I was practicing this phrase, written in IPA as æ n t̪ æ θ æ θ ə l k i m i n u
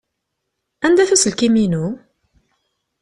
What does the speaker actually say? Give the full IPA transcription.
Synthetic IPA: æ n d̪ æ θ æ s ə l k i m i n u